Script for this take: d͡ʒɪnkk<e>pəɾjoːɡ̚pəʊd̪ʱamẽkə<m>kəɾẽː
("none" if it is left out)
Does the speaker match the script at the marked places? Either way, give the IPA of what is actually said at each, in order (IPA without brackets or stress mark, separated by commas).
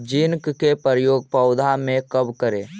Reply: e, b